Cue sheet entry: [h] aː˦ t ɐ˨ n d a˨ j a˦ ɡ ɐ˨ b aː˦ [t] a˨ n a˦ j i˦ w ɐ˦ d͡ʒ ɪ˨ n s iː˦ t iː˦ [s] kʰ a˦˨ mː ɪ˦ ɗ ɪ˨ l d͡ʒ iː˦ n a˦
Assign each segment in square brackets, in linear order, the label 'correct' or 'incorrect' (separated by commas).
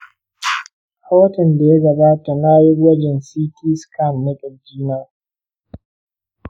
correct, correct, correct